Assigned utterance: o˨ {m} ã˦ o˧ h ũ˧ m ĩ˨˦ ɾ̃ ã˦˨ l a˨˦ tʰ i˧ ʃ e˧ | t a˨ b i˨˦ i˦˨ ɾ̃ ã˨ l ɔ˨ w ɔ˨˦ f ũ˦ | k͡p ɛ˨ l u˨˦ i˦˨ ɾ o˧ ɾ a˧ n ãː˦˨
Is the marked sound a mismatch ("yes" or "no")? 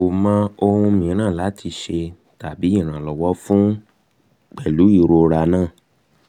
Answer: no